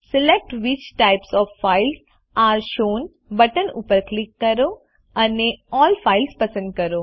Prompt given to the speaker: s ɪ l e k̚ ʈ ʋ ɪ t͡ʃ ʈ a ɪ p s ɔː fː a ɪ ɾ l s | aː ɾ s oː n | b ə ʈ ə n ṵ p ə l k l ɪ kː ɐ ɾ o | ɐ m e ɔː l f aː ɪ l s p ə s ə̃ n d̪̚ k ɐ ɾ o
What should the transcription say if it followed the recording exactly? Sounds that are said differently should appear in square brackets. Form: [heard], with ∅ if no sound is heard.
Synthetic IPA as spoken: s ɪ l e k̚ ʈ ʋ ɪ t͡ʃ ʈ a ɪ p s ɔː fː a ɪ [∅] l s | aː ɾ [ʃ] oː n | b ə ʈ ə n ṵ p ə [ɾ] k l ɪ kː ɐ ɾ o | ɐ [n] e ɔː l f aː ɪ l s p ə s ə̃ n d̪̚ k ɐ ɾ o